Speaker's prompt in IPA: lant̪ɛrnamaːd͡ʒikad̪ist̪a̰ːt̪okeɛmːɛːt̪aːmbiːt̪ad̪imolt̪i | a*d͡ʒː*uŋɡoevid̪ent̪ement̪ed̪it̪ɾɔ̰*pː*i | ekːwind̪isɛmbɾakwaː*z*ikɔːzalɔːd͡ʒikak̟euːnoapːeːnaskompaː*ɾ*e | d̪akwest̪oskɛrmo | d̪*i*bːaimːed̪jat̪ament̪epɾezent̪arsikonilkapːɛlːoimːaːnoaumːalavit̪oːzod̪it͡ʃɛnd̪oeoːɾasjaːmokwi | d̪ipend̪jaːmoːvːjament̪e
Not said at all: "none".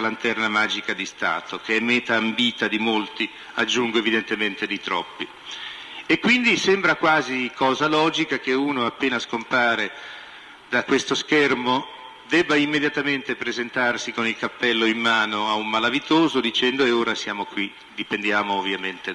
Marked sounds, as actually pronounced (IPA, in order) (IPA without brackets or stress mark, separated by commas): d͡ʒː, pː, z, ɾ, ɛ